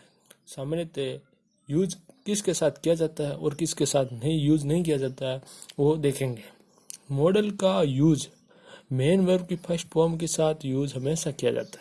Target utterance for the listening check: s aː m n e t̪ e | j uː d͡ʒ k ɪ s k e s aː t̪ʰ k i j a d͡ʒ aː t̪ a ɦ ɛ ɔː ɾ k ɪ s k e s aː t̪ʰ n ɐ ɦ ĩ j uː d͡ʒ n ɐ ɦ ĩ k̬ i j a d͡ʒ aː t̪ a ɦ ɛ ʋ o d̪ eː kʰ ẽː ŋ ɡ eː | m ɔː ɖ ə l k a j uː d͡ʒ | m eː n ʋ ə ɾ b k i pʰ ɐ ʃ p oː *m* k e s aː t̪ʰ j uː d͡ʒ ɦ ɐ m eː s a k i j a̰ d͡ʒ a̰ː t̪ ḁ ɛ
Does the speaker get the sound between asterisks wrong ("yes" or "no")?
no